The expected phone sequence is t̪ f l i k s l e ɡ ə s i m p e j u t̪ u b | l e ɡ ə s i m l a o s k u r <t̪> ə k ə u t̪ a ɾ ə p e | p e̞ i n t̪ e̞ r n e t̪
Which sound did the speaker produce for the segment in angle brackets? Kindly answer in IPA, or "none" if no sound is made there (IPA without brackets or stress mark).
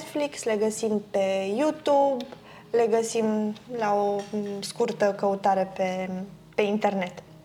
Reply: t̪